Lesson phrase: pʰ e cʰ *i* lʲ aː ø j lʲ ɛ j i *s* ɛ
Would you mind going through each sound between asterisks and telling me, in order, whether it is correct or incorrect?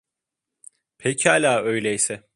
incorrect, correct

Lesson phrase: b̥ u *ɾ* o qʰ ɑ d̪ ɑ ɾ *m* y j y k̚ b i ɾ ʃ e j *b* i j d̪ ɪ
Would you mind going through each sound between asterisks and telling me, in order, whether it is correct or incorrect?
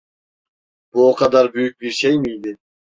incorrect, incorrect, incorrect

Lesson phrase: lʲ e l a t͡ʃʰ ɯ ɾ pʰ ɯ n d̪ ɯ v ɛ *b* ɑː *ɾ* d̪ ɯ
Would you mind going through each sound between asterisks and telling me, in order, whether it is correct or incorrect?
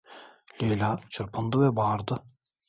correct, correct

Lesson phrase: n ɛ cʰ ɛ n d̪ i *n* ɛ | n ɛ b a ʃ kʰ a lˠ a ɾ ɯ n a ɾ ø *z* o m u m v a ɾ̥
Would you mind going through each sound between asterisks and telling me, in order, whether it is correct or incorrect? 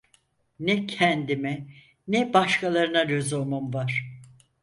incorrect, correct

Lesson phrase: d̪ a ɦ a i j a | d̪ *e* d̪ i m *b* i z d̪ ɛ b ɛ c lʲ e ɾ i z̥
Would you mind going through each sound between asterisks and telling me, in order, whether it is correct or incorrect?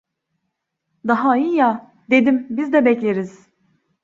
correct, correct

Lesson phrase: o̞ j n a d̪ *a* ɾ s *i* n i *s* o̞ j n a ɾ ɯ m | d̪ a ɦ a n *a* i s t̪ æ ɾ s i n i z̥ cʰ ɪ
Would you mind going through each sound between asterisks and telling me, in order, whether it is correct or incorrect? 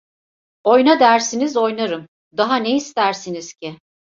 incorrect, correct, incorrect, incorrect

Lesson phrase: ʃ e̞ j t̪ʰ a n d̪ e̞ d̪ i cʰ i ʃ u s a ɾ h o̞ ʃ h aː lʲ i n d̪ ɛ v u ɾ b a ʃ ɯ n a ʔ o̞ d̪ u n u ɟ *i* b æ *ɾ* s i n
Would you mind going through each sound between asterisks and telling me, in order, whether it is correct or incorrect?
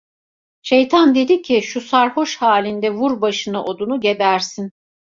incorrect, correct

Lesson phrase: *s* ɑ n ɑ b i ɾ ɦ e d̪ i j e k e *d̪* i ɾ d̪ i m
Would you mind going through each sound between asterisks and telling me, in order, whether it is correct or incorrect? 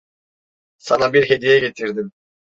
correct, incorrect

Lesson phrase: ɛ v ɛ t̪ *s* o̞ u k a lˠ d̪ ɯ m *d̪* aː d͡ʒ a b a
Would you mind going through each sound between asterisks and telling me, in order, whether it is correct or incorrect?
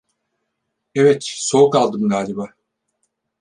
correct, correct

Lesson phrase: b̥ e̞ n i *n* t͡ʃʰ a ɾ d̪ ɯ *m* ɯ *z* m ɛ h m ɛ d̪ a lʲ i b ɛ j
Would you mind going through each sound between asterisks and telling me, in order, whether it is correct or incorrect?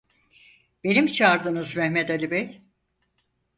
incorrect, incorrect, correct

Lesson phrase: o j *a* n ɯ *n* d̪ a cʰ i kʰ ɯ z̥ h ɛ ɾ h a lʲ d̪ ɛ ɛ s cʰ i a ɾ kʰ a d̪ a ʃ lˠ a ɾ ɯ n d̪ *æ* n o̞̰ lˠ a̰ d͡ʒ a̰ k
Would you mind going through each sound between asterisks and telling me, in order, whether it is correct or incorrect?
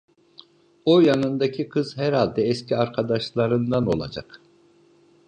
correct, correct, incorrect

